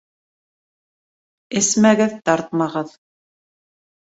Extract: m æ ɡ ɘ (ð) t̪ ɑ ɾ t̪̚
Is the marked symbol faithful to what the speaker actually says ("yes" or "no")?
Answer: yes